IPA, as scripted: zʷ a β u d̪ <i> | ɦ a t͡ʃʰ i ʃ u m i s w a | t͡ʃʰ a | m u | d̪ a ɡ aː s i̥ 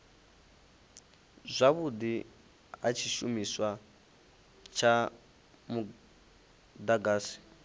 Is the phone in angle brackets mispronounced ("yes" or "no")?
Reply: no